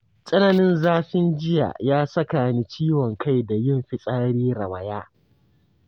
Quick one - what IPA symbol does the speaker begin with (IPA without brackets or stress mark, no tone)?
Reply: sʼ